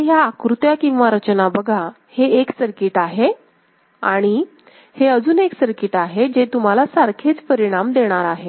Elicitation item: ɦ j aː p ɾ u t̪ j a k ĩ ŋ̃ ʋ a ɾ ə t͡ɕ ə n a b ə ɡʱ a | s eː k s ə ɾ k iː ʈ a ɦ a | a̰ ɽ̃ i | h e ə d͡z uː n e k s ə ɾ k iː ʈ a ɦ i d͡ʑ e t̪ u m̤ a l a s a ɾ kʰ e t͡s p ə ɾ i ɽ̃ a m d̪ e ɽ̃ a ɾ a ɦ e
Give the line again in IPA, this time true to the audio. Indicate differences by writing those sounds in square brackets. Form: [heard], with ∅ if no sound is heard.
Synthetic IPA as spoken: ɦ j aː [k] ɾ u t̪ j a k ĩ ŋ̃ ʋ a ɾ ə t͡ɕ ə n a b ə ɡʱ a | [h] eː k s ə ɾ k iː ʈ a ɦ [e] | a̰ ɽ̃ i | h e ə d͡z uː n e k s ə ɾ k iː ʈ a ɦ [e] d͡ʑ e t̪ u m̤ a l a s a ɾ kʰ e t͡s p ə ɾ i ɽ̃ a m d̪ e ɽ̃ a ɾ a ɦ e